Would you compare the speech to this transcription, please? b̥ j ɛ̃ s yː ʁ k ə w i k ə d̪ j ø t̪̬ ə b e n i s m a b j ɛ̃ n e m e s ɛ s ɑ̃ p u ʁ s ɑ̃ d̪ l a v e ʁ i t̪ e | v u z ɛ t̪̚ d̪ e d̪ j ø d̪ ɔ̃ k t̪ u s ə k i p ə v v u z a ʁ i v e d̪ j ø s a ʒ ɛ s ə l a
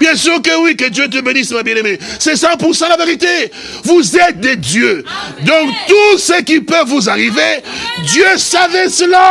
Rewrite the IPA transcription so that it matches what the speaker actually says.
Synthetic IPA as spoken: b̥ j ɛ̃ s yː ʁ k ə w i k ə d̪ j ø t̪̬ ə b e n i s m a b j ɛ̃ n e m e s ɛ s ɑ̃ p u ʁ s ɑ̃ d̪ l a v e ʁ i t̪ e | v u z ɛ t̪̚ d̪ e d̪ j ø d̪ ɔ̃ k t̪ u s ə k i p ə v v u z a ʁ i v e d̪ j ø s a v ɛ s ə l a